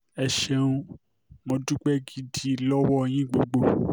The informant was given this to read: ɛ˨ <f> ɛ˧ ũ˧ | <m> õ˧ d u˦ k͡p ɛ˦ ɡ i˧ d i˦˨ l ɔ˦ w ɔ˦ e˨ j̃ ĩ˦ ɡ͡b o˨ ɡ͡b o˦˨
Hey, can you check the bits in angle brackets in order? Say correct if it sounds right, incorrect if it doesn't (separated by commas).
incorrect, correct